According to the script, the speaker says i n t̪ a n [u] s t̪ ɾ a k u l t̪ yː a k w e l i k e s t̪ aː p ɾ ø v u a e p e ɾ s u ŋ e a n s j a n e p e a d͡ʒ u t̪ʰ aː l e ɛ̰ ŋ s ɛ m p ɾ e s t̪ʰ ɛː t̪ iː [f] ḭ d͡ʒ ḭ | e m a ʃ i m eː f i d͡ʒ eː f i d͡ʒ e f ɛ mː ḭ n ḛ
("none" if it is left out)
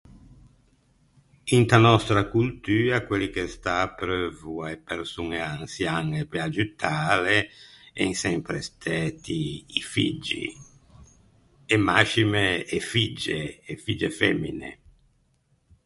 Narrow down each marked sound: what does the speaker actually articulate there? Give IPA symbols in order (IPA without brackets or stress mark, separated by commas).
ɔ, f